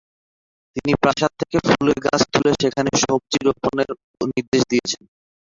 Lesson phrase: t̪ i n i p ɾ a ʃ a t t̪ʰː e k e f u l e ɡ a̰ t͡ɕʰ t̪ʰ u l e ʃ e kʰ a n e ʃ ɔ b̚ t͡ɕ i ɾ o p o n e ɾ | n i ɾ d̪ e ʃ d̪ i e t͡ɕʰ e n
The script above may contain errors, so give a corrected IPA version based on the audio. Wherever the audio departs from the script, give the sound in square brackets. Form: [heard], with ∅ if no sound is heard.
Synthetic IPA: t̪ i n i p ɾ a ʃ a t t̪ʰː e k e f u l e ɡ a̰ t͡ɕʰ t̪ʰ u l e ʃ e kʰ a n e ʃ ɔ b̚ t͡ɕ i ɾ o p o n e ɾ | n i ɾ d̪ e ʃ d̪ i e t͡ɕʰ e n